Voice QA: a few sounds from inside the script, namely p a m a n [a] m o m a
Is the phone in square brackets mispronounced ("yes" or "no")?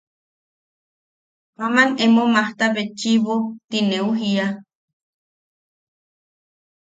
yes